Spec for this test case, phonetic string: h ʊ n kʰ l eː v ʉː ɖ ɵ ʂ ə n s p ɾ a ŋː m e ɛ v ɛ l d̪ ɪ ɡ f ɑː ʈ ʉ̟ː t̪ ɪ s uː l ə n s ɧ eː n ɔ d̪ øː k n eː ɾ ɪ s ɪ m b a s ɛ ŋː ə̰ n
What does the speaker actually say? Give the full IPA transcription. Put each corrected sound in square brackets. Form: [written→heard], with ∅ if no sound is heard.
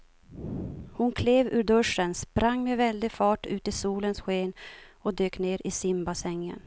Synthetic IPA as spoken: h ʊ n kʰ l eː v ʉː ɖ ɵ ʂ ə n s p ɾ a ŋː m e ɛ v ɛ l d̪ ɪ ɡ f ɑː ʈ ʉ̟ː t̪ ɪ s uː l ə n s ɧ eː n ɔ d̪ øː k n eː ɾ ɪ s ɪ m b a s ɛ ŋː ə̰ n